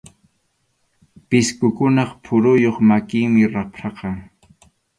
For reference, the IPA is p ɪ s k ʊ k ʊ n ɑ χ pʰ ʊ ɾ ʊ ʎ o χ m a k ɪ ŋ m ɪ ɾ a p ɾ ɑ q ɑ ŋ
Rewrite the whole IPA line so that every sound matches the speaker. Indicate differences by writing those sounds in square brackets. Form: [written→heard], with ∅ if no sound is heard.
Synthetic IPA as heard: p ɪ s k ʊ k ʊ n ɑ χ pʰ ʊ ɾ ʊ [ʎ→j] o χ m a k ɪ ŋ m ɪ ɾ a p ɾ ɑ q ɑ ŋ